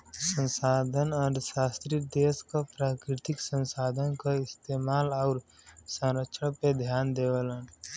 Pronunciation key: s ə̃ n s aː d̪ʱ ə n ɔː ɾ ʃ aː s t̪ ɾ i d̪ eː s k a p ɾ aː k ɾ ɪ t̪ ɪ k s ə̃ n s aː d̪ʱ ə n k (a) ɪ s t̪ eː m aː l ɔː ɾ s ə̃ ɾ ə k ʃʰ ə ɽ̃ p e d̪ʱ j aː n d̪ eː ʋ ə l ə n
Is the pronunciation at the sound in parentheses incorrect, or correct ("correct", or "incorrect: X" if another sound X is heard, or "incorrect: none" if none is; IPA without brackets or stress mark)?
correct